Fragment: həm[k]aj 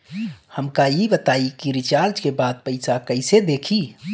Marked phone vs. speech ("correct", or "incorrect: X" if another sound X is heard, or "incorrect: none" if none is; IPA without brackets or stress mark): correct